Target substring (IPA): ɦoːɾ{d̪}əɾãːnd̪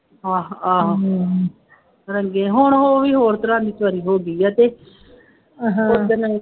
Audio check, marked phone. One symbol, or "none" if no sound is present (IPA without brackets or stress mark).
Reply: t̪